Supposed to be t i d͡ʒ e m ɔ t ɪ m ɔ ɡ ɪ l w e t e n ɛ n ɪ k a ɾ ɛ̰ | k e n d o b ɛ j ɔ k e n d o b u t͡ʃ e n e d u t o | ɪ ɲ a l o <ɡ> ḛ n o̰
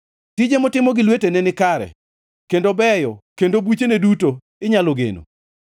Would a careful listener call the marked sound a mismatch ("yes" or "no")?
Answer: no